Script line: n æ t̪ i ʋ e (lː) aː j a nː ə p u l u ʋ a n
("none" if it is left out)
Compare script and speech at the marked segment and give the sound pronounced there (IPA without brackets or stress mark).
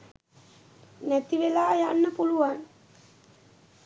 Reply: l